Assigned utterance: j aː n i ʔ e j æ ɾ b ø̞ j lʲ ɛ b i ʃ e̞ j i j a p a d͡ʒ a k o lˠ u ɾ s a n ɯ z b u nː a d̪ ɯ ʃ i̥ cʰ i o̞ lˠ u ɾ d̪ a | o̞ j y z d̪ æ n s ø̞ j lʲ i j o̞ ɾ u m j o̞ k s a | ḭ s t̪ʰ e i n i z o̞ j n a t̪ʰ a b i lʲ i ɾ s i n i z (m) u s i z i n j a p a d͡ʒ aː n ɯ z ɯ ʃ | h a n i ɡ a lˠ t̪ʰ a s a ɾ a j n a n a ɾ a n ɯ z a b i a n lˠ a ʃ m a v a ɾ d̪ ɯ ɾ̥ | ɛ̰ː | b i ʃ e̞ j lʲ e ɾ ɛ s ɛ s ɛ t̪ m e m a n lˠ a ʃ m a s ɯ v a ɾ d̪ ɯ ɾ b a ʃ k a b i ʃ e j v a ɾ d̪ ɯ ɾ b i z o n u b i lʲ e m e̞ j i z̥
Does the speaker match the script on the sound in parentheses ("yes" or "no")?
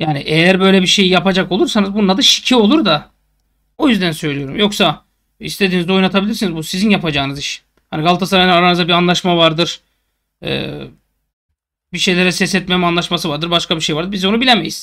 no